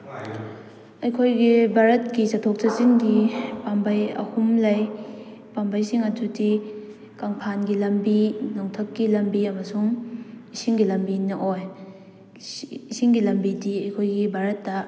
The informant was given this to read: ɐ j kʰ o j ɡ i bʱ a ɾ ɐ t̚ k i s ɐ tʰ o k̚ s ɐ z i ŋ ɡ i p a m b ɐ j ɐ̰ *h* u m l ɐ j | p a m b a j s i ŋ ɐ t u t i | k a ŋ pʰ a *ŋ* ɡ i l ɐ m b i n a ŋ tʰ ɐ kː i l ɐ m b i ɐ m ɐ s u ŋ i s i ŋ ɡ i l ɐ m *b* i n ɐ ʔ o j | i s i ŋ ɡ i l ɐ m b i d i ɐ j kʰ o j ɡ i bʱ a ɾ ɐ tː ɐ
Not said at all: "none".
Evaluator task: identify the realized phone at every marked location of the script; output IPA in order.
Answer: h, n, b

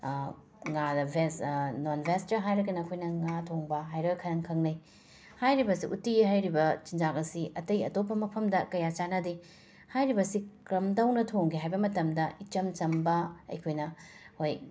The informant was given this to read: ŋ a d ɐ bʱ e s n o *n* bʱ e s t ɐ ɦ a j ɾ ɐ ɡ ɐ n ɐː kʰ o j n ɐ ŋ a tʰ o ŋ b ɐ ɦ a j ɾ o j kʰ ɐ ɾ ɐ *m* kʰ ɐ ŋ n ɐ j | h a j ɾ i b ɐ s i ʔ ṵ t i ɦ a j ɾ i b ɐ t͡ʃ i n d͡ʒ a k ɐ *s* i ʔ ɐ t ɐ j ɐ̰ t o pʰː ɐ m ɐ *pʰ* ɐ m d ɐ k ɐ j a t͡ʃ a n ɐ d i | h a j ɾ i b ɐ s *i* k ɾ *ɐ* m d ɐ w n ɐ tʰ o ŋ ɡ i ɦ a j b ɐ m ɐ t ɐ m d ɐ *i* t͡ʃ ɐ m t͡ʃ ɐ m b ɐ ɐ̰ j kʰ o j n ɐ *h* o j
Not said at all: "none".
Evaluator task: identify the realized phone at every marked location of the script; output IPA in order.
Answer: n, ŋ, s, pʰ, i, ɐ, i, h

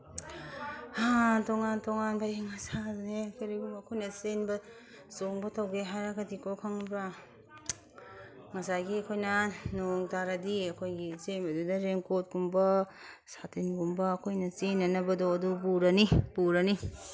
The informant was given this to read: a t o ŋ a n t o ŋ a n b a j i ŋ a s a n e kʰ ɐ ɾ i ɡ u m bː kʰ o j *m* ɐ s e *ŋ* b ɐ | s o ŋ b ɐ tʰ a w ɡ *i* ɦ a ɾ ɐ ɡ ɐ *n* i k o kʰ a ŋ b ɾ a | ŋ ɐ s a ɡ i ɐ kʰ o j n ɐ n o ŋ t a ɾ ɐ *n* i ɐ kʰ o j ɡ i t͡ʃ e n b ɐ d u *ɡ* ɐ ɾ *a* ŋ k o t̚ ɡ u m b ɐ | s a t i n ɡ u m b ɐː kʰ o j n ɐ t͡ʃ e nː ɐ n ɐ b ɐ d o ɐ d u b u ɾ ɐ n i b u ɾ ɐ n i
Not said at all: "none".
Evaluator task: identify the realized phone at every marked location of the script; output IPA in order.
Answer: n, n, e, d, d, d, e

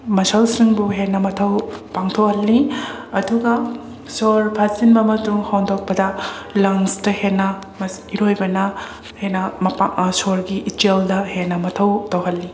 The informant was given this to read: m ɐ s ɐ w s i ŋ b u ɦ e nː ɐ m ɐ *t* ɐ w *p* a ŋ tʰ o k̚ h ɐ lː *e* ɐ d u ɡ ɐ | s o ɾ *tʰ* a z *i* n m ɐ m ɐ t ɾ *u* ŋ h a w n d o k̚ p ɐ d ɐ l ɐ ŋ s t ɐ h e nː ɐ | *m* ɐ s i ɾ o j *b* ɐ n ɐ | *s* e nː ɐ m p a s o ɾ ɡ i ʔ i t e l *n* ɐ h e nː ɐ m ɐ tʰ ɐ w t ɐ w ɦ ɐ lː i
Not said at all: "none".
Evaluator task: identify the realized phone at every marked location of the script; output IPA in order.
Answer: tʰ, p, i, pʰ, i, u, m, b, h, d

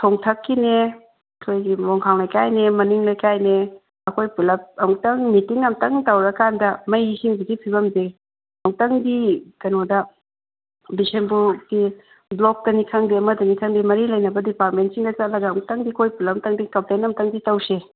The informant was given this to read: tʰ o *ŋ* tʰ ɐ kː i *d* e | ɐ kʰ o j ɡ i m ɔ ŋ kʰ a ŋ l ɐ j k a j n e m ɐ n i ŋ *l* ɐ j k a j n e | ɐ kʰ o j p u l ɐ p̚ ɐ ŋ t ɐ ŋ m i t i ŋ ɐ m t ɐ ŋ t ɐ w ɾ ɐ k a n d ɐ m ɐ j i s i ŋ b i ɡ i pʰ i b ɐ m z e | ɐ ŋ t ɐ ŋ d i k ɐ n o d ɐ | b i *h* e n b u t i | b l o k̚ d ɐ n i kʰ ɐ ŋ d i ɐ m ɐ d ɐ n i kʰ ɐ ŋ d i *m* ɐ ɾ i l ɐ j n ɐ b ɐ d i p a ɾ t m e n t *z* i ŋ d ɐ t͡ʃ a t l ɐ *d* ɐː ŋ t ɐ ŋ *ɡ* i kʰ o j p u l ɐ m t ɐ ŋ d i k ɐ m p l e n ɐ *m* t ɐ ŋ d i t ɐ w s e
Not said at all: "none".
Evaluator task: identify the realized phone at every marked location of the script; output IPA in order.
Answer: ŋ, n, l, s, m, s, ɡ, d, m

